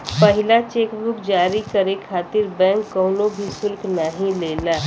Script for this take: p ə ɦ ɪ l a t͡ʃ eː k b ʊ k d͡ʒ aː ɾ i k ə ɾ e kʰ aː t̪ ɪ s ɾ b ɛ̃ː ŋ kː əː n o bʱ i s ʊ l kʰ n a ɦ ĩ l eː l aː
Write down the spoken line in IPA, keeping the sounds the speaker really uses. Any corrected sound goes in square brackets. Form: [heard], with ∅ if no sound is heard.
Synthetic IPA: p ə ɦ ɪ l a t͡ʃ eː k b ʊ k d͡ʒ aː ɾ i k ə ɾ e kʰ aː t̪ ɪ [∅] ɾ b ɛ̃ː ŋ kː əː n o bʱ i s ʊ l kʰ n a ɦ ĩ l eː l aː